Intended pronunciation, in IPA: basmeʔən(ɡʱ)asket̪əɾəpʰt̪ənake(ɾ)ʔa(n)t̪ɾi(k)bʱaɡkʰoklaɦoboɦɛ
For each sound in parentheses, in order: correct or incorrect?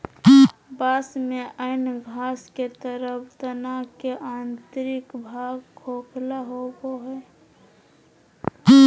correct, incorrect: none, correct, correct

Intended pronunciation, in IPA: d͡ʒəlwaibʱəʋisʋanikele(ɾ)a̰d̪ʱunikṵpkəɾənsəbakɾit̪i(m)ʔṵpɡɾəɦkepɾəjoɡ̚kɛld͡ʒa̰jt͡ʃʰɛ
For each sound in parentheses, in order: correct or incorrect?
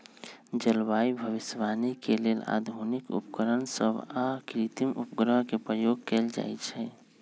incorrect: l, correct

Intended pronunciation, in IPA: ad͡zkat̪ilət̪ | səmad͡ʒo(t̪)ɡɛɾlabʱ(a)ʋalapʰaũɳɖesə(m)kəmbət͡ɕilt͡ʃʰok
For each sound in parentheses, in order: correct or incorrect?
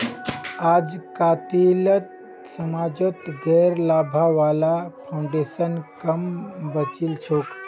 correct, correct, incorrect: n

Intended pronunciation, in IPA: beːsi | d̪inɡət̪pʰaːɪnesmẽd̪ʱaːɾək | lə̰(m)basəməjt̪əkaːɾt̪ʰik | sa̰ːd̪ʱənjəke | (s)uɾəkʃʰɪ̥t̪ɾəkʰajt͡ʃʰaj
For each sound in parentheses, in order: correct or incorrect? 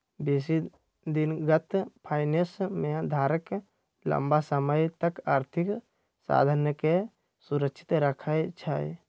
correct, correct

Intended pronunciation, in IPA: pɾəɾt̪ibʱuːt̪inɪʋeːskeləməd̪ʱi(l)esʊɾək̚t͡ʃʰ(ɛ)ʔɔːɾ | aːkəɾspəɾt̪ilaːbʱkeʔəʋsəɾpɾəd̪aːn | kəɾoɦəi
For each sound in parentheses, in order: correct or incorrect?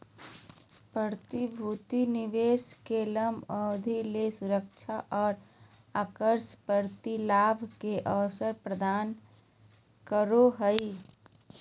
correct, incorrect: a

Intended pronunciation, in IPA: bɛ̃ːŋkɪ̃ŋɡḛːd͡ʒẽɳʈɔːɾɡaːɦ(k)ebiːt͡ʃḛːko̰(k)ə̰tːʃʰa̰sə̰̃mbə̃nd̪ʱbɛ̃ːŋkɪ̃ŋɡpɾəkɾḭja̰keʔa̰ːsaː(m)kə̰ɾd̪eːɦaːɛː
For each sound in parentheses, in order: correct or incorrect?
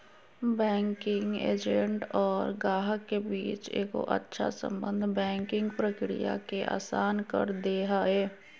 correct, incorrect: ʔ, incorrect: n

